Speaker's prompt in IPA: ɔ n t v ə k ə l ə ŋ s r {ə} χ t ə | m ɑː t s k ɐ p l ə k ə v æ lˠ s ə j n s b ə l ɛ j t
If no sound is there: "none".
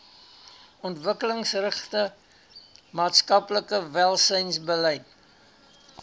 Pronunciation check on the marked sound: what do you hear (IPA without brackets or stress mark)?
ə